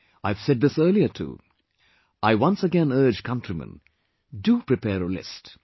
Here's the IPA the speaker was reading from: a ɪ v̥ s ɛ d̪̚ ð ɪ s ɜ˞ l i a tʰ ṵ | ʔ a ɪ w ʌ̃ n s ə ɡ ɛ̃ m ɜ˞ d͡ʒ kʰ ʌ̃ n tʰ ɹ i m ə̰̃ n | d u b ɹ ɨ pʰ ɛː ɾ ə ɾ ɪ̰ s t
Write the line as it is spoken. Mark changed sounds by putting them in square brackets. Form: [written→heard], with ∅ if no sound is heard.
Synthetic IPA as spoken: a ɪ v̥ s ɛ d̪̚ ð ɪ s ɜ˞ l i [a→ə] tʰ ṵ | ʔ a ɪ w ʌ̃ n s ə ɡ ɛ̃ [m→n] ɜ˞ d͡ʒ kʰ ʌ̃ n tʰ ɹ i m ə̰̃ n | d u [b→p] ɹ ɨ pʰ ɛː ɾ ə [ɾ→l] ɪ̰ s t

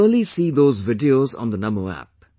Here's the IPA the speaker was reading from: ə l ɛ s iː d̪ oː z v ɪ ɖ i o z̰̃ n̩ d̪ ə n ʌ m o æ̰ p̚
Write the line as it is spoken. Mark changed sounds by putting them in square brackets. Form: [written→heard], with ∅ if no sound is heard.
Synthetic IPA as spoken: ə l [ɛ→i] s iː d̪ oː z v ɪ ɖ i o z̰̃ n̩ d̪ ə n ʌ m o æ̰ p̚

